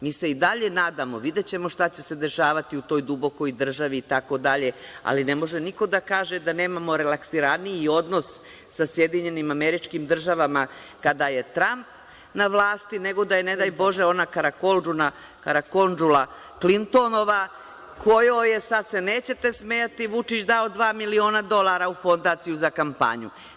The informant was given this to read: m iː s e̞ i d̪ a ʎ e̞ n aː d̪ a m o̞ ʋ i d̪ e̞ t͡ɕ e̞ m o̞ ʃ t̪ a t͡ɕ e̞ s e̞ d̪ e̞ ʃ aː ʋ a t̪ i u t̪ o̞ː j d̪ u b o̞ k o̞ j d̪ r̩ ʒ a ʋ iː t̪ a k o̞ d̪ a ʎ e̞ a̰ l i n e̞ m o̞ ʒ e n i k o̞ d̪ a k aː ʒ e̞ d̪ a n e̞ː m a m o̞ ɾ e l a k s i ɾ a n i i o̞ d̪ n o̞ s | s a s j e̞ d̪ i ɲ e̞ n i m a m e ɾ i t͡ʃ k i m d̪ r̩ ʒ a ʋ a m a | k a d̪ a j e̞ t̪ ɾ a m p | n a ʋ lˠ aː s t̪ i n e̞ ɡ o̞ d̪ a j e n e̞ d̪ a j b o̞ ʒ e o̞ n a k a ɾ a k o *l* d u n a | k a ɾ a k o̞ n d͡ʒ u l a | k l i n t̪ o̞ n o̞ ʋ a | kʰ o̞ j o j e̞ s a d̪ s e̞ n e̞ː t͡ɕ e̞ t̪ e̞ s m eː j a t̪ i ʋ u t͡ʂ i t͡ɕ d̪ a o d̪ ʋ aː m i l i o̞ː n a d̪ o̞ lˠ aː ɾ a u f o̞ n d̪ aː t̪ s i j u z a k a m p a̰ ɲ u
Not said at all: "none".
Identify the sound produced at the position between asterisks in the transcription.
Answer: l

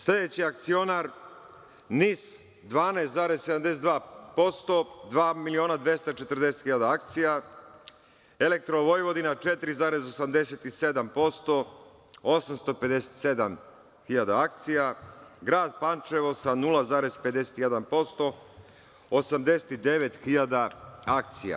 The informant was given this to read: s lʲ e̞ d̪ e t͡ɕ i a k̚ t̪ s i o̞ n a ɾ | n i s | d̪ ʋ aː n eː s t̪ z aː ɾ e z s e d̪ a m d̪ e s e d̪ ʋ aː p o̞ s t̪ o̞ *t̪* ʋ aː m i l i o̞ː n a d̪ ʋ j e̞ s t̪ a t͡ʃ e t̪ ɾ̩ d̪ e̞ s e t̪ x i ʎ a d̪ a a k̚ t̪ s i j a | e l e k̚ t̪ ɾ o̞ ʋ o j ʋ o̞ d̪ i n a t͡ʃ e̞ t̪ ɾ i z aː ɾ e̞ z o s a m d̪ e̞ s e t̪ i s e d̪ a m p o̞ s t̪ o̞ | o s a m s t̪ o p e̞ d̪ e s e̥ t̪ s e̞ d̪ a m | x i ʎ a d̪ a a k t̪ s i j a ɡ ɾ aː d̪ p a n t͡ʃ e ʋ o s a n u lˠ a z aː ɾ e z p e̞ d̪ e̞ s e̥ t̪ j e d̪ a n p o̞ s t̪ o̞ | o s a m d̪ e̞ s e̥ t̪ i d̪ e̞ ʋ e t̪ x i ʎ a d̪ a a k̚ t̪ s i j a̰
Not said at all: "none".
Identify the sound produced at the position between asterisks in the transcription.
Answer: d̪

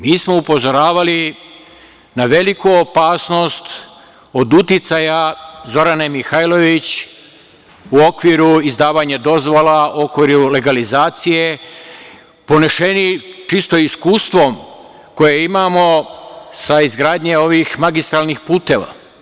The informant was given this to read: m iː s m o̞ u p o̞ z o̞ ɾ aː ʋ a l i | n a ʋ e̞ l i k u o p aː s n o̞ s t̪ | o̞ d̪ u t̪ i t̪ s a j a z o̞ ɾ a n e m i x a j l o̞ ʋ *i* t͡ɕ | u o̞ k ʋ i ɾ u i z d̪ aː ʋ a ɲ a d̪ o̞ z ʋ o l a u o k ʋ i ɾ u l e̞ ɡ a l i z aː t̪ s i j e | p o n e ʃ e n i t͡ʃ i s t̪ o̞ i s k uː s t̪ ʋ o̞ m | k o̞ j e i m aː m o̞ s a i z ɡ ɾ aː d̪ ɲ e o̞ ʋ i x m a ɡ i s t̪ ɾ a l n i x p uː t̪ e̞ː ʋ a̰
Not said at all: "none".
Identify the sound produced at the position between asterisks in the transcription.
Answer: i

